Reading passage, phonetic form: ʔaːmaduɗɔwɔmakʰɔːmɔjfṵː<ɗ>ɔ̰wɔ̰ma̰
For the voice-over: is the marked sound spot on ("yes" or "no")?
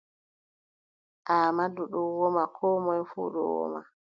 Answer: yes